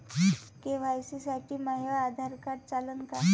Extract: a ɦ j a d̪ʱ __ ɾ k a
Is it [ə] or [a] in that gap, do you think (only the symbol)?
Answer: a